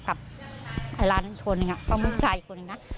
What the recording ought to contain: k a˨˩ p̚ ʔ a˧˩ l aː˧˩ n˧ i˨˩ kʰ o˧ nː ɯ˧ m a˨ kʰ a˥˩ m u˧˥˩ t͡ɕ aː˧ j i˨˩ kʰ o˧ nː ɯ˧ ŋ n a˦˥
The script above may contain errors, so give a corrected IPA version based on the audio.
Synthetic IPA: k a˨˩ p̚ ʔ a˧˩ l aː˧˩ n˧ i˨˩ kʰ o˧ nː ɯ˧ ŋ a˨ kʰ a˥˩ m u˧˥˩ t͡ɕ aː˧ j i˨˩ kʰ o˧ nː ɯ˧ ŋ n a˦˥